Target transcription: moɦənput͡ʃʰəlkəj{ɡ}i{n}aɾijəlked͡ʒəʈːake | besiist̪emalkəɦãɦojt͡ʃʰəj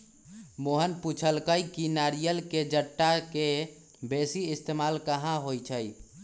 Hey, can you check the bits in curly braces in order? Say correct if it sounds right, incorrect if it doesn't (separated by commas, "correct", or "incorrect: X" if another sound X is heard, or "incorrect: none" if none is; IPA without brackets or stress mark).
incorrect: k, correct